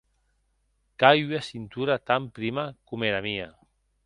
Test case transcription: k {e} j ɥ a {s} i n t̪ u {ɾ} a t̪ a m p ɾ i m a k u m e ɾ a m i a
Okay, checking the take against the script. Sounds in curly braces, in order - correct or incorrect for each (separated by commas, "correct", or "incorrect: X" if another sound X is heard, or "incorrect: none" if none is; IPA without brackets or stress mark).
incorrect: a, correct, correct